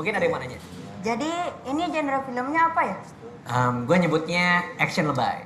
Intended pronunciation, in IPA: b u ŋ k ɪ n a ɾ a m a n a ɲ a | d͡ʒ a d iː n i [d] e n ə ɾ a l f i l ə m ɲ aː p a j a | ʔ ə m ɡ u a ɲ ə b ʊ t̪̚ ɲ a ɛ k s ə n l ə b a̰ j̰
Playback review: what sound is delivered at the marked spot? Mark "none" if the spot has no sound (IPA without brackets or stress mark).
d͡ʒ